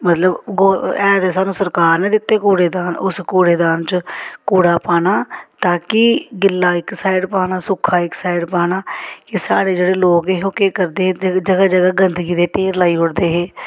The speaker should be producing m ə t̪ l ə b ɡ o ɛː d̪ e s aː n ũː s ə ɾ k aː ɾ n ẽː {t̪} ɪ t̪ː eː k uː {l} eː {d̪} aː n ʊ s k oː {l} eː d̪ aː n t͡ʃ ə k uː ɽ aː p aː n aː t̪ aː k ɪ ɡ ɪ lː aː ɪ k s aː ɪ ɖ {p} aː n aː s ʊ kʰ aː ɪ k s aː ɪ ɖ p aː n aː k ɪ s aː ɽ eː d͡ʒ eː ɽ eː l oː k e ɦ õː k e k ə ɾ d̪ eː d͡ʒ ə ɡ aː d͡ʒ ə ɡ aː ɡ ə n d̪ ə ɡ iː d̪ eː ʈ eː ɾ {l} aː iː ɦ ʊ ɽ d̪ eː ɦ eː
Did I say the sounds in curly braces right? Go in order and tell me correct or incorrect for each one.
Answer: incorrect: d̪, incorrect: ɽ, correct, incorrect: ɽ, correct, correct

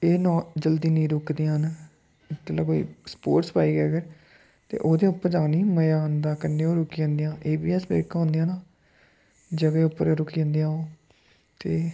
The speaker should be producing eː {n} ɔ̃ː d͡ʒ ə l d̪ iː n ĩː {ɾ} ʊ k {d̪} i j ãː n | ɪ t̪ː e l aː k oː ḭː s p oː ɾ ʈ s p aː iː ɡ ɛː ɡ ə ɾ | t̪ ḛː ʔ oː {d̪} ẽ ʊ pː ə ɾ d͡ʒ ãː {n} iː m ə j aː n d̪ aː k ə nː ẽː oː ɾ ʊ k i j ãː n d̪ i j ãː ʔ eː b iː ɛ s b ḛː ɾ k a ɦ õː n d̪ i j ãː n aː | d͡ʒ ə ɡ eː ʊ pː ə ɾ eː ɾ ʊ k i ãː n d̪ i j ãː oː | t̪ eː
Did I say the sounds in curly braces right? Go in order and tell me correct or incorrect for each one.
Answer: correct, correct, correct, correct, correct

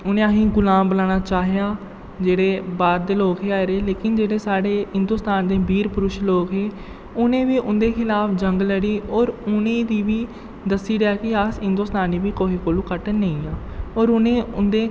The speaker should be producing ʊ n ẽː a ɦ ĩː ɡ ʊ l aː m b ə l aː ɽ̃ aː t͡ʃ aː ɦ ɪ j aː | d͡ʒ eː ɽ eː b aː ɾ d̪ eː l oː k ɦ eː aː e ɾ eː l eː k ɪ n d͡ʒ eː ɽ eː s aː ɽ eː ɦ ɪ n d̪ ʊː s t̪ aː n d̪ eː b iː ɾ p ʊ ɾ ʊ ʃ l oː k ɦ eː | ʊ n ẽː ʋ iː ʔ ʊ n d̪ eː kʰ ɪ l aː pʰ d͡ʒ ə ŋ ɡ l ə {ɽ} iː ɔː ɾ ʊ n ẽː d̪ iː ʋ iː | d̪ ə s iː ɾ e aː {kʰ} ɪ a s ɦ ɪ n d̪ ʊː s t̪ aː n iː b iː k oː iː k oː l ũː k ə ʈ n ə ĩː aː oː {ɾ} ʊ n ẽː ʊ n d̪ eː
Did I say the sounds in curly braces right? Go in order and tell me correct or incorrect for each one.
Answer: correct, incorrect: k, correct

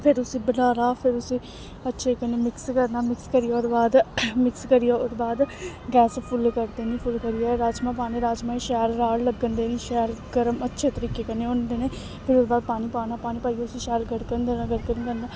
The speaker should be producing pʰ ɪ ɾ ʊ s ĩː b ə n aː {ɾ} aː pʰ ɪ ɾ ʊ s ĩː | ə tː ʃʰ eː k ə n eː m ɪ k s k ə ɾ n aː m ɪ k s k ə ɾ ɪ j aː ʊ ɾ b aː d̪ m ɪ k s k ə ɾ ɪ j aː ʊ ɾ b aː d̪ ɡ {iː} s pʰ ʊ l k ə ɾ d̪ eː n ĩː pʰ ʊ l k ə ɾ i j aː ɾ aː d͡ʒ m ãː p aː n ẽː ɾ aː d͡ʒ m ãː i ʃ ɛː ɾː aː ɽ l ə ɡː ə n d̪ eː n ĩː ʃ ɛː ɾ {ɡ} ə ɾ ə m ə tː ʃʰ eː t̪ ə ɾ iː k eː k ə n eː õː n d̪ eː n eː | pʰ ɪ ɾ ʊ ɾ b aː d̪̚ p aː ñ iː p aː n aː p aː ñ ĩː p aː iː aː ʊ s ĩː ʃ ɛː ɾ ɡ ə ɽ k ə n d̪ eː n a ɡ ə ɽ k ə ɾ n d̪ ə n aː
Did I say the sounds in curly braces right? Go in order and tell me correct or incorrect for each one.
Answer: correct, incorrect: ɛː, correct

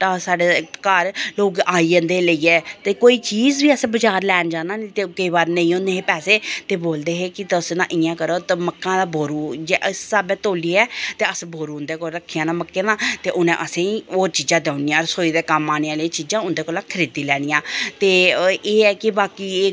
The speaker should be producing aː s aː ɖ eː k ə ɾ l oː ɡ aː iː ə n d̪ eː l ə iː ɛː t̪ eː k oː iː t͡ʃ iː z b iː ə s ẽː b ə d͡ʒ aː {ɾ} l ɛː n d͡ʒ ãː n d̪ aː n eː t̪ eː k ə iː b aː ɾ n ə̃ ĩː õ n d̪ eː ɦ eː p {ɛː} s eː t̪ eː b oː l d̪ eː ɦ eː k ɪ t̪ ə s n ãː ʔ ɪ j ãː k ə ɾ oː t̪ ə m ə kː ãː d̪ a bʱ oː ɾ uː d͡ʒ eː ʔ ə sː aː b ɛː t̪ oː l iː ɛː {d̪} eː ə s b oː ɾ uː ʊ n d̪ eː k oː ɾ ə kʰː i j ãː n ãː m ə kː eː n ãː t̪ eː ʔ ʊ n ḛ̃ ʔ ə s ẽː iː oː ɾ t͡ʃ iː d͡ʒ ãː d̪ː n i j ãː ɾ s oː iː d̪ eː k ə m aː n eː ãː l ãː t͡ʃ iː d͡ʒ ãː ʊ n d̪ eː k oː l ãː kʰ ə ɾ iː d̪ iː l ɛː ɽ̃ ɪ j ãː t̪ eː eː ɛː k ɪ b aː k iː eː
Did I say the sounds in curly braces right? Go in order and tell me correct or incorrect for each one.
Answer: correct, correct, incorrect: t̪

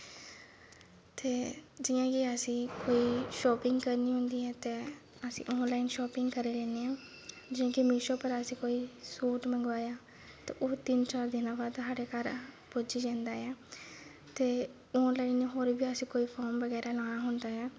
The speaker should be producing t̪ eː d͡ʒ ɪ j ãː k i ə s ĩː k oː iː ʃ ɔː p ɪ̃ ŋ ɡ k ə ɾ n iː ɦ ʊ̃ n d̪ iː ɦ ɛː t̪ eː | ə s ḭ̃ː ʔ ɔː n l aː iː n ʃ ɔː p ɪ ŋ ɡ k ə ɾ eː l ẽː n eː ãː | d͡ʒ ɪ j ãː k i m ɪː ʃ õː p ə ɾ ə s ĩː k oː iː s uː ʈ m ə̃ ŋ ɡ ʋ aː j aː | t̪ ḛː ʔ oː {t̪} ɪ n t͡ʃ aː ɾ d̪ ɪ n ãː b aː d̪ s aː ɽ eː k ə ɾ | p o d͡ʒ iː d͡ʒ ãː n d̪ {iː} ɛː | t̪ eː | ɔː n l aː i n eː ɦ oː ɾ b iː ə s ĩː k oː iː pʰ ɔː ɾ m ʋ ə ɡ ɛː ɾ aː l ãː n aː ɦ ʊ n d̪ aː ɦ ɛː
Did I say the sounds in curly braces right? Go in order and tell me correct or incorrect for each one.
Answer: correct, incorrect: aː

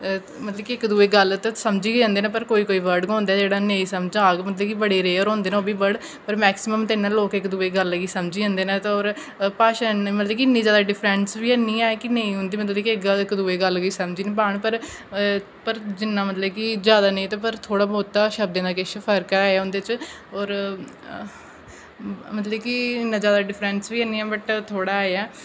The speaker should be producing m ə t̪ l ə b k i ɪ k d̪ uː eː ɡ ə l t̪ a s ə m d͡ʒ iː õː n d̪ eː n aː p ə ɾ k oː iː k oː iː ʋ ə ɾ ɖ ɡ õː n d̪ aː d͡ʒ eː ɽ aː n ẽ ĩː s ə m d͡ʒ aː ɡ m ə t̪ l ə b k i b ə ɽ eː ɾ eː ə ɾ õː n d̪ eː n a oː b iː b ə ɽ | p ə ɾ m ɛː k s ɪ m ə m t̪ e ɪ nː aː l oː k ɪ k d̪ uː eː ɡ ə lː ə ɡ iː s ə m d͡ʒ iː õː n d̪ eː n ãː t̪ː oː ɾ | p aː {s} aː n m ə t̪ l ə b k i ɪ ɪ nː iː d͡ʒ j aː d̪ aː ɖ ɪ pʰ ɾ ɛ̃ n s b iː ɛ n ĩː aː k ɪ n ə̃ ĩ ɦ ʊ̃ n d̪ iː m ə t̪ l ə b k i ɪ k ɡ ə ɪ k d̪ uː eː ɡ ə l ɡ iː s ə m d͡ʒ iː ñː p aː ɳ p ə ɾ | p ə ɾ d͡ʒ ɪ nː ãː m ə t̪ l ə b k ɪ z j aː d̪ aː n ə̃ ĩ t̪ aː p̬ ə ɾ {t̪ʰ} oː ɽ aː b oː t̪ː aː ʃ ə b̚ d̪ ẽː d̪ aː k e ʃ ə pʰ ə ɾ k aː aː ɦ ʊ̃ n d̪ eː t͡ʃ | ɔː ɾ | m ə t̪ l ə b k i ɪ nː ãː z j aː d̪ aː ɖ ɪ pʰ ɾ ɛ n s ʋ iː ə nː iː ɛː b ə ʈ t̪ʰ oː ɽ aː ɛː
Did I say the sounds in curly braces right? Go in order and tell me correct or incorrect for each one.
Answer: incorrect: ʃ, correct

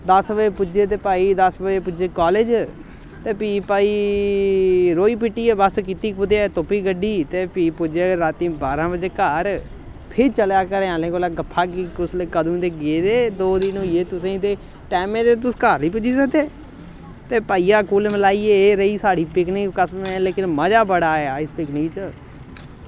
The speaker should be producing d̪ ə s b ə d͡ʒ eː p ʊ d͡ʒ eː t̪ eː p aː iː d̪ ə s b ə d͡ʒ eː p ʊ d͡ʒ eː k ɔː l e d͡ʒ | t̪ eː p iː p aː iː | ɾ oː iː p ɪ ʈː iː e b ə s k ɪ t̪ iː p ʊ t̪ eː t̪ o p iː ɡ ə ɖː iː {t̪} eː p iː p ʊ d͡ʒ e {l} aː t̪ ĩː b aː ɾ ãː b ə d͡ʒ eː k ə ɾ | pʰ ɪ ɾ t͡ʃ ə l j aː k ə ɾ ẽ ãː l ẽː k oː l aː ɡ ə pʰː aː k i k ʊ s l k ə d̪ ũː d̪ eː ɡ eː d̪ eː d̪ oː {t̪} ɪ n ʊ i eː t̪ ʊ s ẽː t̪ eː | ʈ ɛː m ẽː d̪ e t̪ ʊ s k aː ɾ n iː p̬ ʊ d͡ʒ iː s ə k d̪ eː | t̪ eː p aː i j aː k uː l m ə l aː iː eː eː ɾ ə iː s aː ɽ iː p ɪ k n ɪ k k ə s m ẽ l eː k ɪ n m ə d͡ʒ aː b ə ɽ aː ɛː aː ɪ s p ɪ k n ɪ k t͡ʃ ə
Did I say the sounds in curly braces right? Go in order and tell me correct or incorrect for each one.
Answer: correct, incorrect: ɾ, incorrect: d̪

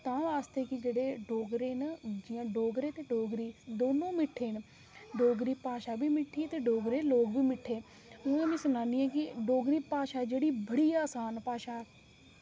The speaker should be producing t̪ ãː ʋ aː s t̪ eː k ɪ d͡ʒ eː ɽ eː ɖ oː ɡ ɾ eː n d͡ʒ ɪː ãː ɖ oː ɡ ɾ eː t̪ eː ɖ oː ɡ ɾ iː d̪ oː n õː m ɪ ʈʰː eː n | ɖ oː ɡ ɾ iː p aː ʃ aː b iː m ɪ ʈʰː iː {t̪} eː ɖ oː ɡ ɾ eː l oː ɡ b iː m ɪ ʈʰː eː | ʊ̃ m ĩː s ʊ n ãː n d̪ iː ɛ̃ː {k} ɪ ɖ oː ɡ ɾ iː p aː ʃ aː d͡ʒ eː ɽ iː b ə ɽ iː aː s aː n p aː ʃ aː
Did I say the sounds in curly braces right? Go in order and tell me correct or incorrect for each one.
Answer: correct, correct

